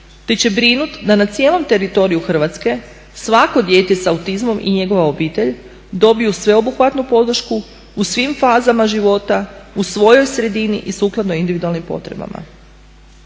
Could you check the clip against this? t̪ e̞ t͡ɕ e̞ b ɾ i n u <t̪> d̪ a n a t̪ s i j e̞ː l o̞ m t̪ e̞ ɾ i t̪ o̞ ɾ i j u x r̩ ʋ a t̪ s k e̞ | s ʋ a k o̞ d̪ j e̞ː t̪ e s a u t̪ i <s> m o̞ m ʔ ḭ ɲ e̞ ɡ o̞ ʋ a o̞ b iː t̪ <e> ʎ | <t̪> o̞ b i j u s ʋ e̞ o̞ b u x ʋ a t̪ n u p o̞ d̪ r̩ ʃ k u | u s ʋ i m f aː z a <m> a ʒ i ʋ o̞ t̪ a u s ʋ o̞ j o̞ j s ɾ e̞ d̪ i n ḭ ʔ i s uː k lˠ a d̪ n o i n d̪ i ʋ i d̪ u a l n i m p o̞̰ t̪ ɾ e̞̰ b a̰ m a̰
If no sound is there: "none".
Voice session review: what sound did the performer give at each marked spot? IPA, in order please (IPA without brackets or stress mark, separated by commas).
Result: t̪, z, e, d̪, m